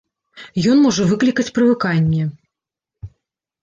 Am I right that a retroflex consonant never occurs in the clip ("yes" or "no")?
no